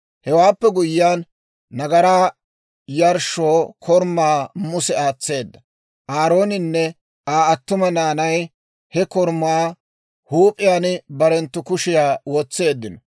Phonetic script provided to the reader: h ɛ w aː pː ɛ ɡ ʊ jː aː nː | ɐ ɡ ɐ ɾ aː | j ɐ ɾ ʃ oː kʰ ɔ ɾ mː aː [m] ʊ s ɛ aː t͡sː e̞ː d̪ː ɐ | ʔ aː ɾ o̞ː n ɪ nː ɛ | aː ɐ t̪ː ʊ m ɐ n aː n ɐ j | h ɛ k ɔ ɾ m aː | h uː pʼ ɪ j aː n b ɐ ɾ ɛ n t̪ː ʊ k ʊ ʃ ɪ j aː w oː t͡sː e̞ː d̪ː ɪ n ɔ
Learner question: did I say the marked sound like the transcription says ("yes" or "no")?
yes